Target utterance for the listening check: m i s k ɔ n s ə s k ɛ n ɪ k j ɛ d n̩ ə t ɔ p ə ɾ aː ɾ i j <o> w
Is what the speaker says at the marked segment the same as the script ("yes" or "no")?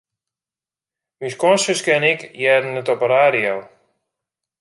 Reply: yes